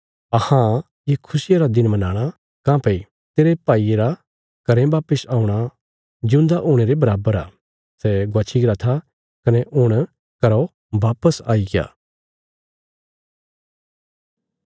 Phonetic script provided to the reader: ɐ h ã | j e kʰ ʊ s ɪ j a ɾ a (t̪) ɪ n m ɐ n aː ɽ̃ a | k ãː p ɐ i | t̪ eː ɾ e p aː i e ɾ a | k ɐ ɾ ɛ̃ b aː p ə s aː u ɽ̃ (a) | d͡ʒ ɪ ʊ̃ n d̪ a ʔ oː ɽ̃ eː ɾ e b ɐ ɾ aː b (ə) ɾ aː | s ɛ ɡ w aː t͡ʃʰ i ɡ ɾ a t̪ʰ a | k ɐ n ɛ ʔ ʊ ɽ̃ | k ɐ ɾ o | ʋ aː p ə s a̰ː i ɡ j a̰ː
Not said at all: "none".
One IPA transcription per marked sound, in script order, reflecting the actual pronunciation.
d̪, a, ə

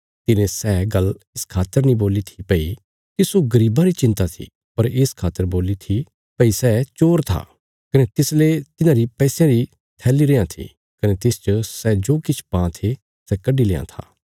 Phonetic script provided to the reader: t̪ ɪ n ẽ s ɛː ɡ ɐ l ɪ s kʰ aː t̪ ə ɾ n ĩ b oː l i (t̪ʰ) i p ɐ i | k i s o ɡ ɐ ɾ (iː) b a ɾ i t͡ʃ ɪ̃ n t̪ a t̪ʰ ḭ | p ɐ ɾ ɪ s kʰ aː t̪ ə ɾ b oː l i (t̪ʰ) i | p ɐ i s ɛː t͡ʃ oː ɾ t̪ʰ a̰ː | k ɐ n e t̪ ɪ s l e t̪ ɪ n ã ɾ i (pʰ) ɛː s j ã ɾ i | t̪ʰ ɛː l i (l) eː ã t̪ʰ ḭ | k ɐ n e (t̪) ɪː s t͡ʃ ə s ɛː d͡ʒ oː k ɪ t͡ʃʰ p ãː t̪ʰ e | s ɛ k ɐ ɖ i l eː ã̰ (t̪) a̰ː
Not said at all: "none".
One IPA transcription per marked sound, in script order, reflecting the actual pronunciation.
t̪ʰ, iː, t̪ʰ, p, ɾ, t̪, t̪ʰ

